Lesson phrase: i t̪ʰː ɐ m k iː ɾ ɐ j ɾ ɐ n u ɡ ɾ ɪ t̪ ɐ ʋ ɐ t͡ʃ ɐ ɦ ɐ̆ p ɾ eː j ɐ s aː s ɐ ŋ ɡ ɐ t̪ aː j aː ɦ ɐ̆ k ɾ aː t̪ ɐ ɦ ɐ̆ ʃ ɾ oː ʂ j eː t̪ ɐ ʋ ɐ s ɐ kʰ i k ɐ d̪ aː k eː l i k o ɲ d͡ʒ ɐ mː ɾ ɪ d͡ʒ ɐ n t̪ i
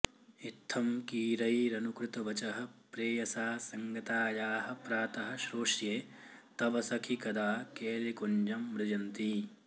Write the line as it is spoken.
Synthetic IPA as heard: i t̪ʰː ɐ m k iː ɾ ɐ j ɾ ɐ n u k ɾ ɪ t̪ ɐ ʋ ɐ t͡ʃ ɐ ɦ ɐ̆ p ɾ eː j ɐ s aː s ɐ ŋ ɡ ɐ t̪ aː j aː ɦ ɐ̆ p ɾ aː t̪ ɐ ɦ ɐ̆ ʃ ɾ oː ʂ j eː t̪ ɐ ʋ ɐ s ɐ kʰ i k ɐ d̪ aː k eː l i k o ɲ d͡ʒ ɐ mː ɾ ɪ d͡ʒ ɐ n t̪ i